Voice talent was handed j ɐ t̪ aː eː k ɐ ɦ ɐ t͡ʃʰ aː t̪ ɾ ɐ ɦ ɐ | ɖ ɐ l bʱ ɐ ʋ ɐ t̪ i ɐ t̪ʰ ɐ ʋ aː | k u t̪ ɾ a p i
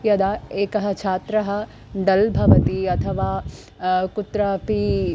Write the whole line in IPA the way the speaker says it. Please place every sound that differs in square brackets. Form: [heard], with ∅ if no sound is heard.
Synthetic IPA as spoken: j ɐ [d̪] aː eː k ɐ ɦ ɐ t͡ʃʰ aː t̪ ɾ ɐ ɦ ɐ | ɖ ɐ l bʱ ɐ ʋ ɐ t̪ i ɐ t̪ʰ ɐ ʋ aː | k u t̪ ɾ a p i

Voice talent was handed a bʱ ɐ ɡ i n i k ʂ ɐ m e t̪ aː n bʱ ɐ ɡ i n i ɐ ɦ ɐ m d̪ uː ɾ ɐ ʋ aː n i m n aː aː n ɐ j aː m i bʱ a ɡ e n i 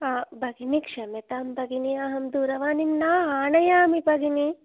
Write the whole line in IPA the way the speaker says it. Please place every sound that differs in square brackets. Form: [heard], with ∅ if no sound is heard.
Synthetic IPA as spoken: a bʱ ɐ ɡ i n i k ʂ ɐ m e t̪ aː [m] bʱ ɐ ɡ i n i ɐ ɦ ɐ m d̪ uː ɾ ɐ ʋ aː n i m n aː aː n ɐ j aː m i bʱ [ɐ] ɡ [i] n i

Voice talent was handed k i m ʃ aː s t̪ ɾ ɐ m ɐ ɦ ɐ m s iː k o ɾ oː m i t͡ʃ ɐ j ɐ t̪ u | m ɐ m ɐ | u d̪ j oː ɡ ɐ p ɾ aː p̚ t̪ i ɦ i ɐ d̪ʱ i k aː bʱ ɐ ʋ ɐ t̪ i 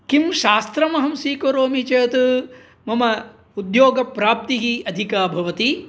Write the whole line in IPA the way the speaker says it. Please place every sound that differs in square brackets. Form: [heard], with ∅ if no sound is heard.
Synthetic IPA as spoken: k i m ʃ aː s t̪ ɾ ɐ m ɐ ɦ ɐ m s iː k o ɾ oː m i t͡ʃ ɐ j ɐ t̪ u | m ɐ m ɐ | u d̪ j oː ɡ ɐ p ɾ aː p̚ t̪ i ɦ i ɐ d̪ʱ i k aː bʱ ɐ ʋ ɐ t̪ i

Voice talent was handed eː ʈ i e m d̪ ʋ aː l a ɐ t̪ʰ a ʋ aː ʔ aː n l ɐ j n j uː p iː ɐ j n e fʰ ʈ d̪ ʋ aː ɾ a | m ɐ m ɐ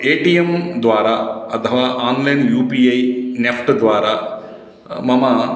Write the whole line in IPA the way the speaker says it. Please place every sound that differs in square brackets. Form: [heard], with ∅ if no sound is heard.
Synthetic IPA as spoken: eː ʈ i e m d̪ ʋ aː [ɾ] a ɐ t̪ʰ [ɐ] ʋ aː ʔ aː n l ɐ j n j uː p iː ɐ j n e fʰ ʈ d̪ ʋ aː ɾ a | m ɐ m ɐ

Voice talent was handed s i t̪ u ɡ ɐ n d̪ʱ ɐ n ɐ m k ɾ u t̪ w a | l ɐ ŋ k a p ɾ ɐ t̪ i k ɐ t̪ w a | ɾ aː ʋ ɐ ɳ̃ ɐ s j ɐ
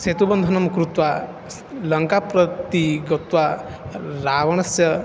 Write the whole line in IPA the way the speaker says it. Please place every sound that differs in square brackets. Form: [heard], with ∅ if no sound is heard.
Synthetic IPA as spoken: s [e] t̪ u [b] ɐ n d̪ʱ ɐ n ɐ m k ɾ u t̪ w a | l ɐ ŋ k a p ɾ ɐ t̪ i [ɡ] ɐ t̪ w a | ɾ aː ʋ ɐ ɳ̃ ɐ s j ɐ

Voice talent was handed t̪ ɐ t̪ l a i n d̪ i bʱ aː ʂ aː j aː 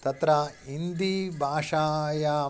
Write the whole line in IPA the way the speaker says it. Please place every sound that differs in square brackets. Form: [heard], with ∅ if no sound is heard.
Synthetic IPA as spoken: t̪ ɐ t̪ [ɾ] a i n d̪ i bʱ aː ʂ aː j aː

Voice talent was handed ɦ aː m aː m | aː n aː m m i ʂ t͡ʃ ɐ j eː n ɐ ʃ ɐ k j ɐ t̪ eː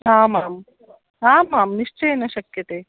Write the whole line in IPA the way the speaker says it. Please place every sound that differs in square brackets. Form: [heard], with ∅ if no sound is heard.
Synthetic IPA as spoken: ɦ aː m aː m | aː [m] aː m [n] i ʂ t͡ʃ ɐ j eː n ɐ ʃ ɐ k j ɐ t̪ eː

